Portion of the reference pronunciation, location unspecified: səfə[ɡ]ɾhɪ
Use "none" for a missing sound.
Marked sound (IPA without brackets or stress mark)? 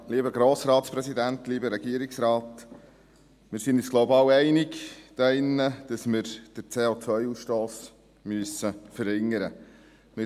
none